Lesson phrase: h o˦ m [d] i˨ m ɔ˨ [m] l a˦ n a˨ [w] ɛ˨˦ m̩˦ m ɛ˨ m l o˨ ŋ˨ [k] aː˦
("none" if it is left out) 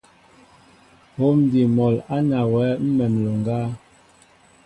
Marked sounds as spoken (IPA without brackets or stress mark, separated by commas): d, none, w, ɡ